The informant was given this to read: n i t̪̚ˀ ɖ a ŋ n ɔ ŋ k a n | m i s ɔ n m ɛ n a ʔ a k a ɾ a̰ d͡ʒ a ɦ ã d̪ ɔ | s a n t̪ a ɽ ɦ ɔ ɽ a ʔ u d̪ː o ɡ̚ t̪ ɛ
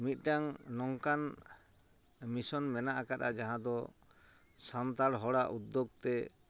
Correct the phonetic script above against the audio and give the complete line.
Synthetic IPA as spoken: m i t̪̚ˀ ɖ a ŋ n ɔ ŋ k a n | m i s ɔ n m ɛ n a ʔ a k a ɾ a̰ d͡ʒ a ɦ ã d̪ ɔ | s a n t̪ a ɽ ɦ ɔ ɽ a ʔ u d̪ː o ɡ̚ t̪ ɛ